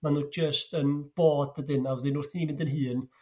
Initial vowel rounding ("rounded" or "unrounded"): unrounded